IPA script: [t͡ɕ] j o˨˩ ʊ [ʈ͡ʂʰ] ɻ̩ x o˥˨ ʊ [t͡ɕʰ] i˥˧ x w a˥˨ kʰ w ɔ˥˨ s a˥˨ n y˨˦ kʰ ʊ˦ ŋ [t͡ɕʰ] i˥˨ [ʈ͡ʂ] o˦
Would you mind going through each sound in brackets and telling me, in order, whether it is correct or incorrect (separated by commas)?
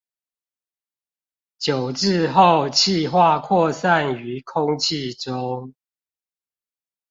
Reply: correct, incorrect, correct, correct, correct